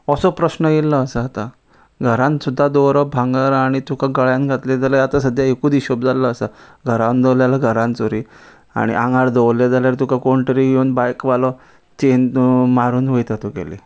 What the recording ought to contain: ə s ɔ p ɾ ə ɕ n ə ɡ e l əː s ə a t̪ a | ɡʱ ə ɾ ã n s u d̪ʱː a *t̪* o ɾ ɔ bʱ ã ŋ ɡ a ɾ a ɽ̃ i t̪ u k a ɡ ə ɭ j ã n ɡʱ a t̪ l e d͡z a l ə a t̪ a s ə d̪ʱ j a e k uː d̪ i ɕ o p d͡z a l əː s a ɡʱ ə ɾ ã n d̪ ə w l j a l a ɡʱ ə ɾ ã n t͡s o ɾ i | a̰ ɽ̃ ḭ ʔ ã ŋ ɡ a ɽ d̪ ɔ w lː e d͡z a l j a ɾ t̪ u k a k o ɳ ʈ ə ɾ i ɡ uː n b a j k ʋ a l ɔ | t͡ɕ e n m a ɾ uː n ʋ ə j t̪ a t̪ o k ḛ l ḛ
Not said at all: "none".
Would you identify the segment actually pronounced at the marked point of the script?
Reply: d̪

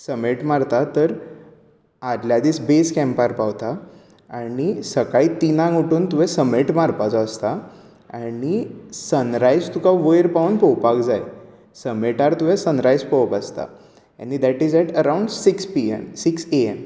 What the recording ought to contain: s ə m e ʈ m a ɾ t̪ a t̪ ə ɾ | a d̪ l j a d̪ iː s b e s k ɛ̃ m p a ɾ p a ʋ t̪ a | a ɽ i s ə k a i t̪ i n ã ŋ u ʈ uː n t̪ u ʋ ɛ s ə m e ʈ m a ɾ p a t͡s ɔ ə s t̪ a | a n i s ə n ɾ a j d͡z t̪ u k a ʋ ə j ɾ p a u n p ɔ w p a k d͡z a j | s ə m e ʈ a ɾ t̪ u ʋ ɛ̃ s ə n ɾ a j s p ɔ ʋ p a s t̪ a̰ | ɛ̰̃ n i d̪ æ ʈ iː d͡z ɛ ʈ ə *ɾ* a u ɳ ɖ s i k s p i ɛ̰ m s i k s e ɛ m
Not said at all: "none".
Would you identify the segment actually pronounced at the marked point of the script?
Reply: ɾ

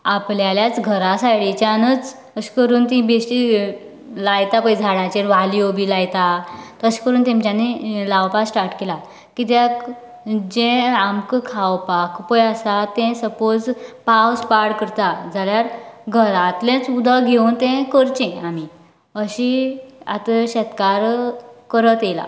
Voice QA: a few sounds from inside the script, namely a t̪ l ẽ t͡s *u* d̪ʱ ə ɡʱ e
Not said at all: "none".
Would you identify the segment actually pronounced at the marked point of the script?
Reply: u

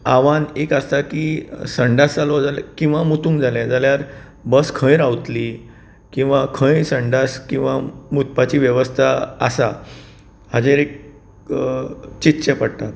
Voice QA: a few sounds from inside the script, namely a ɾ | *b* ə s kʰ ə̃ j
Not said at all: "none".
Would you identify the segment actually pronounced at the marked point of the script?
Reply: b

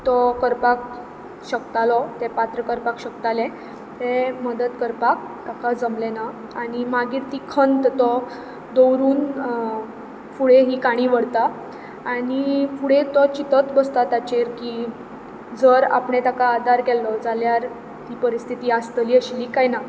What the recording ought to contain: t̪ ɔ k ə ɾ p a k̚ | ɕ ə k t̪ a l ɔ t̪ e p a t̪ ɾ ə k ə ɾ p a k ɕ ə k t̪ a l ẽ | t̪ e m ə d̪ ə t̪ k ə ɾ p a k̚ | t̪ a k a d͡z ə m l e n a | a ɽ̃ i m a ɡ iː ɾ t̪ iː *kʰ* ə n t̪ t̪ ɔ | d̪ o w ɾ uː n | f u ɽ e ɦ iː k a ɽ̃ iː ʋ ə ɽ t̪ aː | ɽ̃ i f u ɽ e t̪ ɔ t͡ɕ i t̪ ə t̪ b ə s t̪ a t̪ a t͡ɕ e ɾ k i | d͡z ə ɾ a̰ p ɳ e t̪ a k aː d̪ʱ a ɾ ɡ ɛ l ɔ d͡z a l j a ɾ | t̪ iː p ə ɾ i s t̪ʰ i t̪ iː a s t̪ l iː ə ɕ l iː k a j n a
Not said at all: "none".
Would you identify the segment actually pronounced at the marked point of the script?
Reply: kʰ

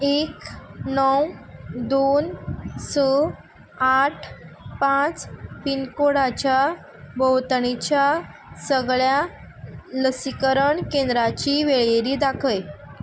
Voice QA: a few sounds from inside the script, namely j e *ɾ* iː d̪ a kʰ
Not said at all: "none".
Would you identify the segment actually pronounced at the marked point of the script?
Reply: ɾ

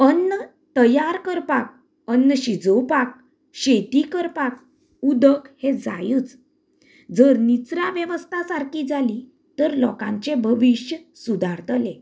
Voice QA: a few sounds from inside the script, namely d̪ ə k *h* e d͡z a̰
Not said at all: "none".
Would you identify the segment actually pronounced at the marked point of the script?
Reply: h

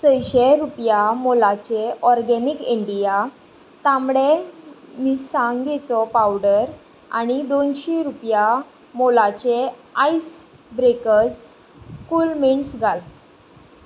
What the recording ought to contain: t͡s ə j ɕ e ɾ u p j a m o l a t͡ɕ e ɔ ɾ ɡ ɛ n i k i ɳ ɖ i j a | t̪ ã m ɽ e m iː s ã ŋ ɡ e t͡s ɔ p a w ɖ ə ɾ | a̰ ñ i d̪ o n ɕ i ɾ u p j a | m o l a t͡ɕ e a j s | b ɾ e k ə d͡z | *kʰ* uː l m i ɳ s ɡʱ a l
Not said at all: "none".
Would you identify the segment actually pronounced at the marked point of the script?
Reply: k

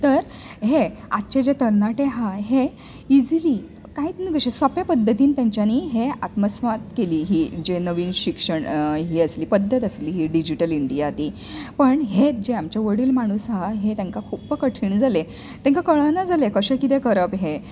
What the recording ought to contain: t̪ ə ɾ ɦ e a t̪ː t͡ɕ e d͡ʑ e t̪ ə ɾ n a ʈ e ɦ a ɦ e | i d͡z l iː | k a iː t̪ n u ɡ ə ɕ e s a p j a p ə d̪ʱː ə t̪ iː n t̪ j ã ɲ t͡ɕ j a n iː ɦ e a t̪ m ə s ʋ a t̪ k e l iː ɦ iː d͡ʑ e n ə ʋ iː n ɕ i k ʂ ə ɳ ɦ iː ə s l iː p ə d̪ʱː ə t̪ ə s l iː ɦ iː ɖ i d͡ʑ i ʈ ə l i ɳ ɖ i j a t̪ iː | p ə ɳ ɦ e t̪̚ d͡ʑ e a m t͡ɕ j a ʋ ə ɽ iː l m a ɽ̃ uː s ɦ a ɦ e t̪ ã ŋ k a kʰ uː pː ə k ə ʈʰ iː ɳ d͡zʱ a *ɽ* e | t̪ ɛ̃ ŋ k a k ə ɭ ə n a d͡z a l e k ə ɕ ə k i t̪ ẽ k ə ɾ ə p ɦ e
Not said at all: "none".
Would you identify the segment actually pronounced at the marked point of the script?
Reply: l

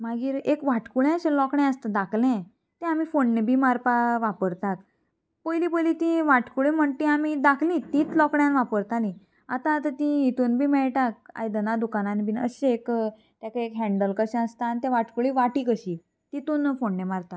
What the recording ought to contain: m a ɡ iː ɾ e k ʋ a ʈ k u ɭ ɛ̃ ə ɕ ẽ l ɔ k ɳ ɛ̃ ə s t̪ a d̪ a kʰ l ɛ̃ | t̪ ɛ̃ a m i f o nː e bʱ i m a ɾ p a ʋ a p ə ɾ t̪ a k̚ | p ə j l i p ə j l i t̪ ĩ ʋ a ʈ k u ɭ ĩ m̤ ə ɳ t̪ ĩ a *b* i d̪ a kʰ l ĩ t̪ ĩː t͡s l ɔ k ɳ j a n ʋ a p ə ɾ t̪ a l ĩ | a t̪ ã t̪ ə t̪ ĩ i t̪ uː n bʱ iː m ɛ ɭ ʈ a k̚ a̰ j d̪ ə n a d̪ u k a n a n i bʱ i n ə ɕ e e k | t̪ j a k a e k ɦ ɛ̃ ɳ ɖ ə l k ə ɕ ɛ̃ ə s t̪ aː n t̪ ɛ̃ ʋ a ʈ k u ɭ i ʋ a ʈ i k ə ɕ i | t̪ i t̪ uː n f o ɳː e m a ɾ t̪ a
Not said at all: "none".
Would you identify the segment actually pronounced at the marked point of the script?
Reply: m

